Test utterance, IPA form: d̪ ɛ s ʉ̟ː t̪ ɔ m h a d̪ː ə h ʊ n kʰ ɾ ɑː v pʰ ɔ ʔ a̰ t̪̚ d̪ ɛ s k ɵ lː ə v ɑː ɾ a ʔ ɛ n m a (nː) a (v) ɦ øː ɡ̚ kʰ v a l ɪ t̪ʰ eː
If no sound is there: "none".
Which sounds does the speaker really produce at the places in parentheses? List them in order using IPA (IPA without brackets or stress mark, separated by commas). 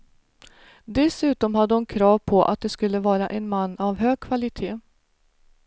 nː, v